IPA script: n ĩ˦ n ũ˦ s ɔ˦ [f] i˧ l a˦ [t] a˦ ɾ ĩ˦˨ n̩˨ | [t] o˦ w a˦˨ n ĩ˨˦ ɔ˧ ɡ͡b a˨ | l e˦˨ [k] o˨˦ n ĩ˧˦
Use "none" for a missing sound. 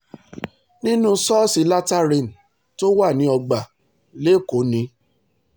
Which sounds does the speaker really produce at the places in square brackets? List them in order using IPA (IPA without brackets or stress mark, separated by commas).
s, t, t, k